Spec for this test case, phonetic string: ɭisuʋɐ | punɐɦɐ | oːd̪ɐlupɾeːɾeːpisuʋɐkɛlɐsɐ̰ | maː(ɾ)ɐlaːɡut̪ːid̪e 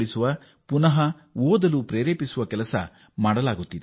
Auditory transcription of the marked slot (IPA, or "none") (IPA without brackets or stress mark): ɽ